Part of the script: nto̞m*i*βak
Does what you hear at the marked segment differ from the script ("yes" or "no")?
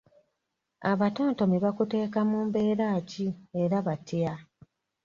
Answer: no